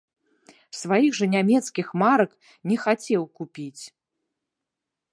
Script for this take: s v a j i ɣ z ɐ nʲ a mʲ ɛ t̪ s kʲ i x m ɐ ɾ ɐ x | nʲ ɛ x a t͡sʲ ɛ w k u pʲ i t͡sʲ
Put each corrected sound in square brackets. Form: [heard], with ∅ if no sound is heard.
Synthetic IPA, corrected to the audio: s v a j i ɣ [ʐ] ɐ nʲ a mʲ ɛ t̪ s kʲ i x m [a] ɾ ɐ [k] | nʲ ɛ x a t͡sʲ ɛ w k u pʲ i t͡sʲ